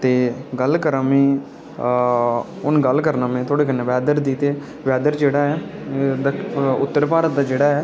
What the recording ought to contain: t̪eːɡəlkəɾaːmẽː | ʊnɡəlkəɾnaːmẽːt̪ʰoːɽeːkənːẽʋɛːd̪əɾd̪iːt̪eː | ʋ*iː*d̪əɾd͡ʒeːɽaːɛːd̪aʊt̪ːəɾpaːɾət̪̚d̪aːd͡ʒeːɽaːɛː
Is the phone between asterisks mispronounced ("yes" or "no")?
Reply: yes